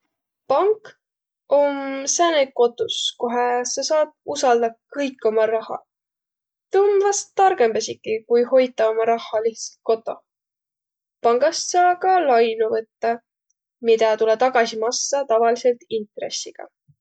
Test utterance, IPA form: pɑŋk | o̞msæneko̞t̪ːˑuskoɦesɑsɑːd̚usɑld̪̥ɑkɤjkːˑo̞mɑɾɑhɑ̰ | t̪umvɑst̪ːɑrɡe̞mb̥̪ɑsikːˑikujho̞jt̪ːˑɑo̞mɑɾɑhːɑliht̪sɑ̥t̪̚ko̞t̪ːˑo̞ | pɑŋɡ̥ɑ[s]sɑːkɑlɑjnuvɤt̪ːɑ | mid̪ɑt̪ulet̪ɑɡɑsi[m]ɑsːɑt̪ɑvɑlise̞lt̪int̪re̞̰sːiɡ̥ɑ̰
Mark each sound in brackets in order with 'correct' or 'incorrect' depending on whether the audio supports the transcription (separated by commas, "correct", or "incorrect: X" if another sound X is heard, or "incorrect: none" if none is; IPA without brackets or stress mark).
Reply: correct, correct